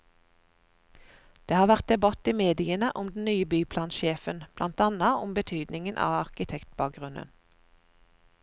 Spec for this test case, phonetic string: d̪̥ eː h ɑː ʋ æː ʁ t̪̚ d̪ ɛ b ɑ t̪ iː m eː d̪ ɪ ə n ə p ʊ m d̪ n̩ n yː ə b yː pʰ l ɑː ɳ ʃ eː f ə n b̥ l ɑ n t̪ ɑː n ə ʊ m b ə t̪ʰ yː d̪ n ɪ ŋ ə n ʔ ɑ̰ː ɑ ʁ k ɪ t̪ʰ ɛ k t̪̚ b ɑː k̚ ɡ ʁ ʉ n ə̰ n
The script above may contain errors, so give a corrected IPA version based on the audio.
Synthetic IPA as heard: d̪̥ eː h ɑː ʋ æ ʁ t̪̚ d̪ ɛ b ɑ t̪ iː m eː d̪ ɪ ə n ə ʔ ʊ m d̪ n̩ n yː ə b yː pʰ l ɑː n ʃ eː f ə n b̥ l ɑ n t̪ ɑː n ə ʊ m b ə t̪ʰ yː d̪ n ɪ ŋ ə n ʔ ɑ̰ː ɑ ʁ k ɪ t̪ʰ ɛ k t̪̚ b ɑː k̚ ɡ ʁ ʉ n ə̰ n